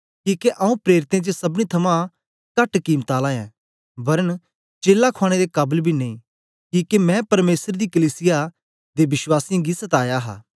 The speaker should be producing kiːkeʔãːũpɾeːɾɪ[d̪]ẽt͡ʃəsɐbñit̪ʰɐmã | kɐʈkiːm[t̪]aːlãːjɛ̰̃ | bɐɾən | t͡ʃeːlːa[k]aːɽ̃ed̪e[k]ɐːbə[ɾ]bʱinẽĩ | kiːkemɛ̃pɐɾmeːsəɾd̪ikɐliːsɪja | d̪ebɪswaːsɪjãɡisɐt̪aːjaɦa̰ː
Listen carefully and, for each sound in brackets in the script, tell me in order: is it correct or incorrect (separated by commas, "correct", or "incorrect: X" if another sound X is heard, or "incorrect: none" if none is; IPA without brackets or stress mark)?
incorrect: t̪, correct, incorrect: kʰ, correct, incorrect: l